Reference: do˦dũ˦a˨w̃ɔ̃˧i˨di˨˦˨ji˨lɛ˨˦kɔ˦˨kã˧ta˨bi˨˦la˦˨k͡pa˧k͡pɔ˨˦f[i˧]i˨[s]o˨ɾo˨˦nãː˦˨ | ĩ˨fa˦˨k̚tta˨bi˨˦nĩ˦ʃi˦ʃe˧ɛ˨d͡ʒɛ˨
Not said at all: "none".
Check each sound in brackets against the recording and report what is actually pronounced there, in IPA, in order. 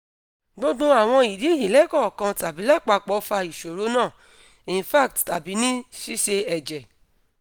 a˧, ʃ

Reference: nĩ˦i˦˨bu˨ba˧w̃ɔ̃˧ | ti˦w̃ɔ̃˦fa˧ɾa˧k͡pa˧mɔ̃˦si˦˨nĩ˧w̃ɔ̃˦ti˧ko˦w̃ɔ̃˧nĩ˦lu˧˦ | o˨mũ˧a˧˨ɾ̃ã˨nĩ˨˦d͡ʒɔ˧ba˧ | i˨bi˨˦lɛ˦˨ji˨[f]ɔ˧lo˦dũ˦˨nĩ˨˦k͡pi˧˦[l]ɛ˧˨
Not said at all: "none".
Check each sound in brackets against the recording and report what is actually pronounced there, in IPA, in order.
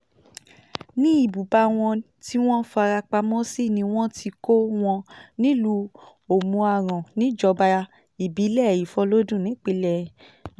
f, l

